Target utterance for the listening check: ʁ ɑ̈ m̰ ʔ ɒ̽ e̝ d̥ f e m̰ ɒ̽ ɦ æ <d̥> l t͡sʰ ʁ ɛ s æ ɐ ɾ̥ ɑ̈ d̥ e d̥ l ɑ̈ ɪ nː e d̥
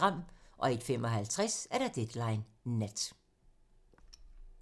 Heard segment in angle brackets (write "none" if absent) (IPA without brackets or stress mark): none